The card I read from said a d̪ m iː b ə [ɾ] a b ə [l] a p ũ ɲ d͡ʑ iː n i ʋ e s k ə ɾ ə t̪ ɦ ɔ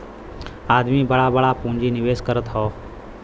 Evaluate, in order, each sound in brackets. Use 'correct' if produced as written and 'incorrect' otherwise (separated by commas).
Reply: incorrect, incorrect